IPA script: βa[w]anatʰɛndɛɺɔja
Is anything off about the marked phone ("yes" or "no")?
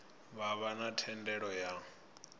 yes